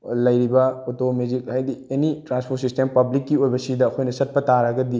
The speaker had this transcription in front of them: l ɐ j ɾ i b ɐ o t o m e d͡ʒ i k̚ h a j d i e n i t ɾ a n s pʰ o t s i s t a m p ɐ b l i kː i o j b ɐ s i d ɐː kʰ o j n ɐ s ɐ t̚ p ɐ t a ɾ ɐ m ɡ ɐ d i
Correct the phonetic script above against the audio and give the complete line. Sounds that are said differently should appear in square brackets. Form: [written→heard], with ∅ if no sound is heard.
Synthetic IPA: l ɐ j ɾ i b ɐ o t o m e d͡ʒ i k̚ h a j d i e n i t ɾ a n s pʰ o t s i s t [a→e] m p ɐ b l i kː i o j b ɐ s i d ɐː kʰ o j n ɐ s ɐ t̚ p ɐ t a ɾ ɐ [m→∅] ɡ ɐ d i

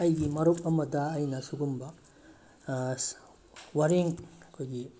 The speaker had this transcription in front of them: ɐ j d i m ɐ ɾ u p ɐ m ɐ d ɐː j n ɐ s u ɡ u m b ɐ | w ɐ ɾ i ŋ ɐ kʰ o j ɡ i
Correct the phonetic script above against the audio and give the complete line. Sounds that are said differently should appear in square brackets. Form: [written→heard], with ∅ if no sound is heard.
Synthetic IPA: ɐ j [d→ɡ] i m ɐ ɾ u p ɐ m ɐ d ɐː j n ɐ s u ɡ u m b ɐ | w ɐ ɾ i ŋ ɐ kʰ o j ɡ i

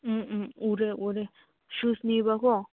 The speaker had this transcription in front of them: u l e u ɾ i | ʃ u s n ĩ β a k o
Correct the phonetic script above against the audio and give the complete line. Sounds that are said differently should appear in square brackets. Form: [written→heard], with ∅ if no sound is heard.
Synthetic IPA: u [l→ɾ] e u ɾ [i→e] | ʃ u s n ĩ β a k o

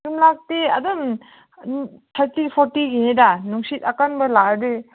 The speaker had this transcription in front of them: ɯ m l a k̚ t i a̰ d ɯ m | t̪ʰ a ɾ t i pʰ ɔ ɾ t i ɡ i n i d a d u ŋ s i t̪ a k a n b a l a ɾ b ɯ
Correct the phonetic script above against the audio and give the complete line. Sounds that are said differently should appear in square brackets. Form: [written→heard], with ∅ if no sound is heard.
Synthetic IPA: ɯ m l a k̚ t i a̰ d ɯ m | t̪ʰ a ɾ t i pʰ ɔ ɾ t i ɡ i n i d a [d→n] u ŋ s i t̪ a k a n b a l a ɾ [b→d] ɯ

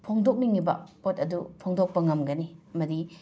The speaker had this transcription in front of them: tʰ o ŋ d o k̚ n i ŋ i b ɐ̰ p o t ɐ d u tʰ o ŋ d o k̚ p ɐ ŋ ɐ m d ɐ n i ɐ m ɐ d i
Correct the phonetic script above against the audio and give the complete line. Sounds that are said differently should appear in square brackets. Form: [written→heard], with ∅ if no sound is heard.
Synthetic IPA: [tʰ→pʰ] o ŋ d o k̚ n i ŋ i b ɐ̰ p o t ɐ d u [tʰ→pʰ] o ŋ d o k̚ p ɐ ŋ ɐ m [d→ɡ] ɐ n i ɐ m ɐ d i

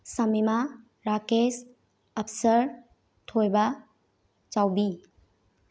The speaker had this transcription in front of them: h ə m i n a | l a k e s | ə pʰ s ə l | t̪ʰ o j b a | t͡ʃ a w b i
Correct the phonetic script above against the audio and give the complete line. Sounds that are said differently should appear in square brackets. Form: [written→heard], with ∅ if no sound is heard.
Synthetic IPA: [h→s] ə m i [n→m] a | [l→ɾ] a k e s | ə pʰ s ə [l→ɾ] | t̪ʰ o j b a | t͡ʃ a w b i

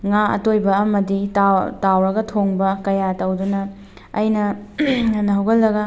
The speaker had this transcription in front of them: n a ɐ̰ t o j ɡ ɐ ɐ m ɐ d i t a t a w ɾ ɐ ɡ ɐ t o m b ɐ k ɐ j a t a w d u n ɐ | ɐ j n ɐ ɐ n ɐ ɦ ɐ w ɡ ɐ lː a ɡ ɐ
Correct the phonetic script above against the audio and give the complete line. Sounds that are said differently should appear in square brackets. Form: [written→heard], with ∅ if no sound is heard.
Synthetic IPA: [n→ŋ] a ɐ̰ t o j [ɡ→b] ɐ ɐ m ɐ d i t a t a w ɾ ɐ ɡ ɐ [t→tʰ] o [m→ŋ] b ɐ k ɐ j a t [a→ɐ] w d u n ɐ | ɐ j n ɐ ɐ n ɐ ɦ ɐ w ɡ ɐ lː [a→ɐ] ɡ ɐ

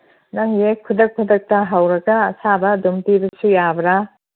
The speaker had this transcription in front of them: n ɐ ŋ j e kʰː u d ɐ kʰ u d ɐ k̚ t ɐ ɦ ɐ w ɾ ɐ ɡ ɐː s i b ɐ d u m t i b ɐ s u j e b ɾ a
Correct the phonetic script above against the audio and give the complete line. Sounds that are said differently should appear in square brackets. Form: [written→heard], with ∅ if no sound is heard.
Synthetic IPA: n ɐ ŋ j e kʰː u d ɐ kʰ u d ɐ k̚ t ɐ ɦ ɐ w ɾ ɐ ɡ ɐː s [i→a] b ɐ d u m t i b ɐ s u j [e→a] b ɾ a

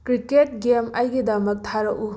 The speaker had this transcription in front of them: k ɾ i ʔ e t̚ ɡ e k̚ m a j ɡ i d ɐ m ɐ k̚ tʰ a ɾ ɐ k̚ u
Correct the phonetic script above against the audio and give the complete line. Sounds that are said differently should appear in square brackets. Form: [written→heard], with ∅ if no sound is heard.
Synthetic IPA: k ɾ i [ʔ→k] e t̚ ɡ e [k̚→∅] m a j ɡ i d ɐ m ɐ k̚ tʰ a ɾ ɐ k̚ u

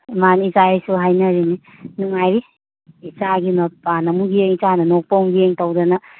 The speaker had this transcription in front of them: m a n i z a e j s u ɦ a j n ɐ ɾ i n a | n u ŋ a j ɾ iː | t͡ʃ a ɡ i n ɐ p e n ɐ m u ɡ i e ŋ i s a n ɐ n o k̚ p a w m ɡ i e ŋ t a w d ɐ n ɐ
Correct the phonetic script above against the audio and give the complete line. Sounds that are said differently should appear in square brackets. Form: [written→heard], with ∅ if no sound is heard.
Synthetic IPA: m a n i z a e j s u ɦ a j n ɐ ɾ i n [a→i] | n u ŋ a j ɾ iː | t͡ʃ a ɡ i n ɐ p [e→a] n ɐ m u ɡ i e ŋ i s a n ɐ n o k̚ p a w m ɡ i e ŋ t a w d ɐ n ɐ

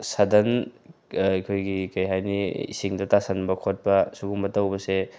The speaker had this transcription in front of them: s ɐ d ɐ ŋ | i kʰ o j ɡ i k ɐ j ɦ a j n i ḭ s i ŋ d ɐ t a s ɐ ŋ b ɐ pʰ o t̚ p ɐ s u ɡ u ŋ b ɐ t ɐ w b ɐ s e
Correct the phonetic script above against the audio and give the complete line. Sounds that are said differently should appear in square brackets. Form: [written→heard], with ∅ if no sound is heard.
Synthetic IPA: s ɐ d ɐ [ŋ→n] | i kʰ o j ɡ i k ɐ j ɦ a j n i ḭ s i ŋ d ɐ t a s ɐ [ŋ→n] b ɐ [pʰ→kʰ] o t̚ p ɐ s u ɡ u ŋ b ɐ t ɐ w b ɐ s e

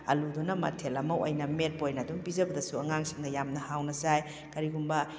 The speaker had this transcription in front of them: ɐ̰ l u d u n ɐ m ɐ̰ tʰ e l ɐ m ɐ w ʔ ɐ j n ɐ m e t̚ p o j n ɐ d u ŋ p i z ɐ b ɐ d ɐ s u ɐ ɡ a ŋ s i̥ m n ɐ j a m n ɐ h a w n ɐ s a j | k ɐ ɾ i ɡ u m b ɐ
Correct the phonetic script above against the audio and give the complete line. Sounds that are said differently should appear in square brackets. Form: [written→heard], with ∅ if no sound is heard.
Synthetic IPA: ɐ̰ l u d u n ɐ m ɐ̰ tʰ e l ɐ m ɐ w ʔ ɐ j n ɐ m e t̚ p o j n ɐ d u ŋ p i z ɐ b ɐ d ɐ s u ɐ [ɡ→ŋ] a ŋ s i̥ [m→ŋ] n ɐ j a m n ɐ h a w n ɐ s a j | k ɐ ɾ i ɡ u m b ɐ

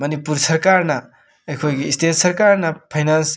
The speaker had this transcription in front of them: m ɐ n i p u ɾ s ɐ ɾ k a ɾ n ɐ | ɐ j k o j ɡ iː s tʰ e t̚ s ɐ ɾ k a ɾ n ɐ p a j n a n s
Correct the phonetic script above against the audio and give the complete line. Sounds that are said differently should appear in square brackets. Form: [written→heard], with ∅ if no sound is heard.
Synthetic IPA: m ɐ n i p u ɾ s ɐ ɾ k a ɾ n ɐ | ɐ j [k→kʰ] o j ɡ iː s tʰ e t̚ s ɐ ɾ k a ɾ n ɐ [p→pʰ] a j n a n s

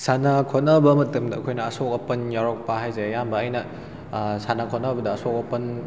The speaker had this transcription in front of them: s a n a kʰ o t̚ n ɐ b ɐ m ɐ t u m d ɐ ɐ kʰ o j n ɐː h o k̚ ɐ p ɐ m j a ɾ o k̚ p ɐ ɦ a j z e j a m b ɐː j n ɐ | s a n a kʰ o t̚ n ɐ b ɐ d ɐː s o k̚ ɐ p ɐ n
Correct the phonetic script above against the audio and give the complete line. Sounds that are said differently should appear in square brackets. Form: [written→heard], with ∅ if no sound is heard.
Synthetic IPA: s a n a kʰ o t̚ n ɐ b ɐ m ɐ t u m d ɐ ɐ kʰ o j n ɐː [h→s] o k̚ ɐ p ɐ [m→n] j a ɾ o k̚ p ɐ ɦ a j z e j a m b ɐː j n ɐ | s a n a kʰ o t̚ n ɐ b ɐ d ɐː s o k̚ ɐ p ɐ n

